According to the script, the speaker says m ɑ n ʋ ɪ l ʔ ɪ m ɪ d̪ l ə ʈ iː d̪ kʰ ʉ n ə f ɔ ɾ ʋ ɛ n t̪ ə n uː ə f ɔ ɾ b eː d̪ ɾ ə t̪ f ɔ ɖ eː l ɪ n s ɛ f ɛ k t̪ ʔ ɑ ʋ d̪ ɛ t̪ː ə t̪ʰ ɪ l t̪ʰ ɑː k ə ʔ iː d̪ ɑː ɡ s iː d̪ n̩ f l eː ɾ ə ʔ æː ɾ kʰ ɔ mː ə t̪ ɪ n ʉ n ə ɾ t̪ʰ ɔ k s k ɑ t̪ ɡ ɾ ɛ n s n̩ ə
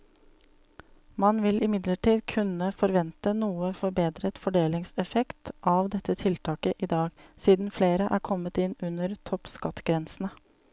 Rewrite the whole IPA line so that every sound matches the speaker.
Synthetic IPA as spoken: m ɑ n ʋ ɪ l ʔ ɪ m ɪ d̪ l ə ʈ iː d̪ kʰ ʉ n ə f ɔ ɾ ʋ ɛ n t̪ ə n uː ə f ɔ ɾ b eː d̪ ɾ ə t̪ f ɔ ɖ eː l ɪ ŋ s ɛ f ɛ k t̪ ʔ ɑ ʋ d̪ ɛ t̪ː ə t̪ʰ ɪ l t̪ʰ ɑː k ə ʔ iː d̪ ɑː ɡ s iː d̪ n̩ f l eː ɾ ə ʔ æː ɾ kʰ ɔ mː ə t̪ ɪ n ʉ n ə ɾ t̪ʰ ɔ p s k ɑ t̪ ɡ ɾ ɛ n s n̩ ə